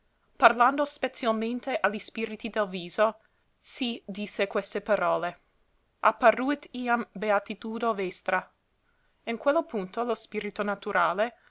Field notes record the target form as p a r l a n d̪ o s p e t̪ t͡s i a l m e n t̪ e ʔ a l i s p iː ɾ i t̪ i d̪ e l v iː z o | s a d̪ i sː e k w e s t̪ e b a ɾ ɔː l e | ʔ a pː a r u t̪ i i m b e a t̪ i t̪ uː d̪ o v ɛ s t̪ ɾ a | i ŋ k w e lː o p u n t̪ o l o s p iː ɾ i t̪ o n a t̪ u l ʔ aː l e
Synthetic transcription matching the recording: p a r l a n d̪ o s p e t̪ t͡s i a l m e n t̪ e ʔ a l i s p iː ɾ i t̪ i d̪ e l v iː z o | s i d̪ i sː e k w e s t̪ e p a ɾ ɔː l e | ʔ a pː a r u t̪ i a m b e a t̪ i t̪ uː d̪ o v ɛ s t̪ ɾ a | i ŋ k w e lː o p u n t̪ o l o s p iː ɾ i t̪ o n a t̪ u ɾ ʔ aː l e